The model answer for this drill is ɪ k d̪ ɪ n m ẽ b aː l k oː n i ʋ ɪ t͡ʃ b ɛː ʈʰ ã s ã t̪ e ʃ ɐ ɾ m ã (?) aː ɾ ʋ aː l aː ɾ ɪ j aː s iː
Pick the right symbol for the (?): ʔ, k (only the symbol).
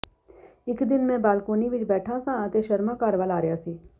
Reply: k